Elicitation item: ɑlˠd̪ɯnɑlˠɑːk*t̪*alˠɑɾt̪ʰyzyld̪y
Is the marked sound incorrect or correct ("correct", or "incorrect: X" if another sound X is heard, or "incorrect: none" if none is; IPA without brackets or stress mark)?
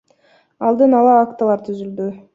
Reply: correct